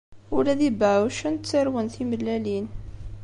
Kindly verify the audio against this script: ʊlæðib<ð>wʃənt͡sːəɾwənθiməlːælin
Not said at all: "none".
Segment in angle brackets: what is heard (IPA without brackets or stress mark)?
ʕ